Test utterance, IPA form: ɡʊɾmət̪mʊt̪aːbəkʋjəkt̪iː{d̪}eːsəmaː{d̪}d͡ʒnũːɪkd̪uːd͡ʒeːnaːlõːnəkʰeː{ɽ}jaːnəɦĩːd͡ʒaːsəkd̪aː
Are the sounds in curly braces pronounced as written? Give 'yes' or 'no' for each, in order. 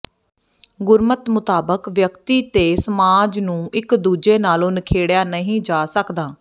no, no, yes

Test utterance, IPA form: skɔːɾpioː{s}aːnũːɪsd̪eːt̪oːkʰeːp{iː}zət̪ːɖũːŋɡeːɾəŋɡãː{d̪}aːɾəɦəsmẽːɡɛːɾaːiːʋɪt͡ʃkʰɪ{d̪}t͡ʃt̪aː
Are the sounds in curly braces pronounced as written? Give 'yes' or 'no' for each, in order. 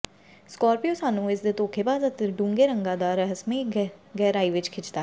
yes, no, yes, no

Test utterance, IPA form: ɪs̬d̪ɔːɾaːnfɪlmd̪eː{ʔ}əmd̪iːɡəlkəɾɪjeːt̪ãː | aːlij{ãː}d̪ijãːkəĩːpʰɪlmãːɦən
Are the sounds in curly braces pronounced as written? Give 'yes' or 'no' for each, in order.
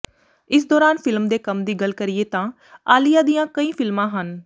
no, no

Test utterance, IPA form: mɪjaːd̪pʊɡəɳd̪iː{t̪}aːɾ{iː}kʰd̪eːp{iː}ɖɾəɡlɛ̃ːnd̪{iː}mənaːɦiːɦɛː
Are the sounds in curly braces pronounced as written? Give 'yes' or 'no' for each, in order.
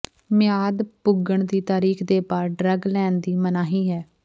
yes, yes, no, yes

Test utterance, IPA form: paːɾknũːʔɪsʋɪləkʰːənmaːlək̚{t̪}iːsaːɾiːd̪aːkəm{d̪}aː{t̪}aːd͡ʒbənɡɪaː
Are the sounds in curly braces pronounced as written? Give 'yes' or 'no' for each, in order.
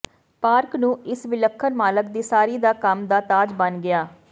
no, yes, yes

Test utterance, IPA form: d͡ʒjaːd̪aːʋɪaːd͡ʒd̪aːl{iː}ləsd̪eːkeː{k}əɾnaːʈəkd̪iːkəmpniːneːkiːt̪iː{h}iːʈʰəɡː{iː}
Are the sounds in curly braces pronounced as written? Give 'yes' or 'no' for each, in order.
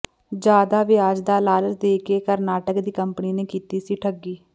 no, yes, no, yes

